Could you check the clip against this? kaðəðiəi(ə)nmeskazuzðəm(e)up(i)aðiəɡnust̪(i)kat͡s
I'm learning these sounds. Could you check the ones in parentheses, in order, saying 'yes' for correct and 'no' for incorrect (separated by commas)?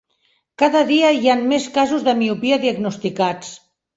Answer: no, no, yes, yes